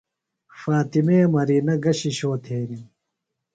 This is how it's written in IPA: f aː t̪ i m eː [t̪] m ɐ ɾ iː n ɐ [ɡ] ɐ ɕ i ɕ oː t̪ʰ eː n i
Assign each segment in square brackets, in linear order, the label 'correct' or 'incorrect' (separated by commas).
incorrect, correct